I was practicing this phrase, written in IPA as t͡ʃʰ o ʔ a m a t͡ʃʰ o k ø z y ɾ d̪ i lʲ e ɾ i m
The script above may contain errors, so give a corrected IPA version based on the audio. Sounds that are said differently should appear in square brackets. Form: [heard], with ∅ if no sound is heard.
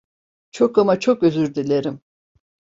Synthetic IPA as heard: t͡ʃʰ o [k] a m a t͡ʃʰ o k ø z y ɾ d̪ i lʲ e ɾ i m